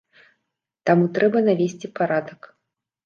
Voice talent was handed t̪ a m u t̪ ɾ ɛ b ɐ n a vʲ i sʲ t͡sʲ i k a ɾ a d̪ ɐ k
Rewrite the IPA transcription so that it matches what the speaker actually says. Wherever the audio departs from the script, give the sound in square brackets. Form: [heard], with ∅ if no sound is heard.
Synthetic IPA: t̪ a m u t̪ ɾ ɛ b ɐ n a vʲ [e] sʲ t͡sʲ i [p] a ɾ a d̪ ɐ k